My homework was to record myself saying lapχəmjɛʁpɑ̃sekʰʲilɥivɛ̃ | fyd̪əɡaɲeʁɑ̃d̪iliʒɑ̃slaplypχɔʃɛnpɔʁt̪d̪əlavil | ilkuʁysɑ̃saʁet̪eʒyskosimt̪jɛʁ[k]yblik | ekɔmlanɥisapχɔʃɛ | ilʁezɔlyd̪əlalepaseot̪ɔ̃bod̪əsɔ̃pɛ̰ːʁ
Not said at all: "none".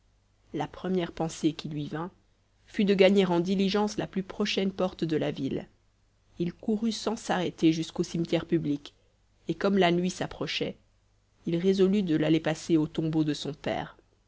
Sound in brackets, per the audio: p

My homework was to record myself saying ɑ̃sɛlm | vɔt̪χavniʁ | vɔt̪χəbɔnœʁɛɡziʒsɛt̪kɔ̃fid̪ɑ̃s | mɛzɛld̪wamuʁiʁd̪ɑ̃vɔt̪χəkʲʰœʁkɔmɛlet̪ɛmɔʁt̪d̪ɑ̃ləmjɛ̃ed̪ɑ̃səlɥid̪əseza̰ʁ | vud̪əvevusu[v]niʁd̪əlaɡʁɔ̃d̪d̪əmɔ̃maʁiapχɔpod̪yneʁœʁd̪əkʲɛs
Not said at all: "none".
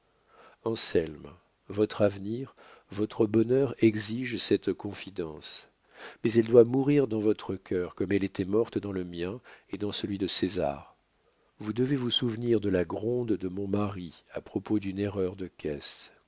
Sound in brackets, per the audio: v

